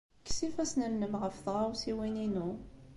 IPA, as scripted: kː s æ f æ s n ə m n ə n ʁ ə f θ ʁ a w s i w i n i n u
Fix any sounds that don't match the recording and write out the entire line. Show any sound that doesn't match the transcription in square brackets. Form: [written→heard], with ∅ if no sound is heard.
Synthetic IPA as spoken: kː s [æ→i] f æ s n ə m n ə [n→m] ʁ ə f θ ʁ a w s i w i n i n u